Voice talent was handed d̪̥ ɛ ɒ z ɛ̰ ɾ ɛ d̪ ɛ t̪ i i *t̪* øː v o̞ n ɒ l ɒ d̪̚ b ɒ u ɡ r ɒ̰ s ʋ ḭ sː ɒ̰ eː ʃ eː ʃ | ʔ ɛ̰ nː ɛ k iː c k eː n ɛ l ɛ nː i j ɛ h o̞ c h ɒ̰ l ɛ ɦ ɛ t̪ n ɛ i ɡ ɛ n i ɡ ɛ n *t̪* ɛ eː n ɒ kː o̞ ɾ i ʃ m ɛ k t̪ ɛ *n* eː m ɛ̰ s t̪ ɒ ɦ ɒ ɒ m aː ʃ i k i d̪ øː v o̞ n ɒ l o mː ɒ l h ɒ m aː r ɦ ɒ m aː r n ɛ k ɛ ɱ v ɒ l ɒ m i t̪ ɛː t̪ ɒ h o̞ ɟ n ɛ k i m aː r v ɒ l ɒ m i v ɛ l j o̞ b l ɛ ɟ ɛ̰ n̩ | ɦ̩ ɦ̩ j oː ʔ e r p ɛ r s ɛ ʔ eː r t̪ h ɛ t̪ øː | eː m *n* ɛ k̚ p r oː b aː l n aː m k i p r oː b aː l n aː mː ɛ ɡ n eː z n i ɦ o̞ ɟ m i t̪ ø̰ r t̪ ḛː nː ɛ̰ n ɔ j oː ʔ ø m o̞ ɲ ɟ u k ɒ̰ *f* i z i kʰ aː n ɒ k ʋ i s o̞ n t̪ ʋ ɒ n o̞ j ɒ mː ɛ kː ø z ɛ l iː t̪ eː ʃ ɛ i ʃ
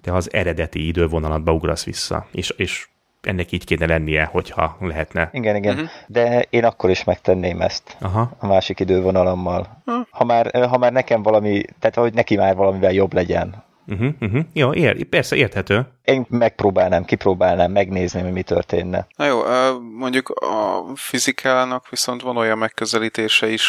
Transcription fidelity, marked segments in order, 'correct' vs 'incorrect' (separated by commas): incorrect, incorrect, incorrect, incorrect, correct